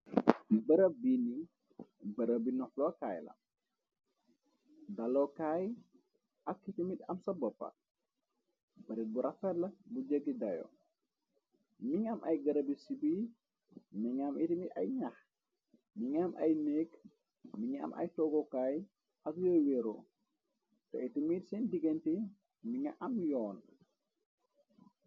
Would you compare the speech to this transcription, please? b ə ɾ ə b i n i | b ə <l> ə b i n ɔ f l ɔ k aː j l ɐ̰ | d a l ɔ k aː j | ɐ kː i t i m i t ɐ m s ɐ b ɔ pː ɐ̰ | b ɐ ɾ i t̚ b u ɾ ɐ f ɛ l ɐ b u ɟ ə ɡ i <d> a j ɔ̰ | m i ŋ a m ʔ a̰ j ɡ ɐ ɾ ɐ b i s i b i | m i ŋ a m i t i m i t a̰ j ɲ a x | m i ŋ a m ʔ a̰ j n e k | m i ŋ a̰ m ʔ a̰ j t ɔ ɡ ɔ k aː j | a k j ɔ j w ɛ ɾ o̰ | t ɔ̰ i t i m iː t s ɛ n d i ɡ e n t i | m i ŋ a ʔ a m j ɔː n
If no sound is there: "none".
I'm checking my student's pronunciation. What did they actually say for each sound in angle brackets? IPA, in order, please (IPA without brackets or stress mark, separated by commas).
ɾ, d